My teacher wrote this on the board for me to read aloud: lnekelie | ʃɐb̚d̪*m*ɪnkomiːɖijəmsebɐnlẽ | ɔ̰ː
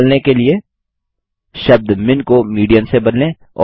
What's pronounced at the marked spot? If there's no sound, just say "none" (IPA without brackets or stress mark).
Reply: m